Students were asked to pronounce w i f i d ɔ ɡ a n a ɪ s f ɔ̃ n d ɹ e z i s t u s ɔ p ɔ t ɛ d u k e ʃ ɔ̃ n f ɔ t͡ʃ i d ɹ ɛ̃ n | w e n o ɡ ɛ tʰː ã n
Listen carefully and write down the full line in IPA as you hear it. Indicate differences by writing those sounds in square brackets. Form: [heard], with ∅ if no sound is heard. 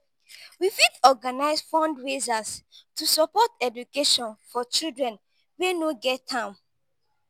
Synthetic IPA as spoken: w i f i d ɔ ɡ a n a ɪ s f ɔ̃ n d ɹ e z [a] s t u s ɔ p ɔ t ɛ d u k e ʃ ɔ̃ n f ɔ t͡ʃ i d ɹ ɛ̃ n | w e n o ɡ ɛ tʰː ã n